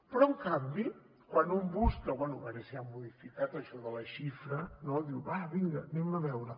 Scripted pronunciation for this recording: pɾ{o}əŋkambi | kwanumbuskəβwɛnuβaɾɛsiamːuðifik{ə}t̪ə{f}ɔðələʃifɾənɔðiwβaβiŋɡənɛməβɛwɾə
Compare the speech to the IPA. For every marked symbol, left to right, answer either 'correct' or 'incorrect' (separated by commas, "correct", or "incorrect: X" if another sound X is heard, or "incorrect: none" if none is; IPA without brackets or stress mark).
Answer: incorrect: ɔ, incorrect: a, incorrect: ʃ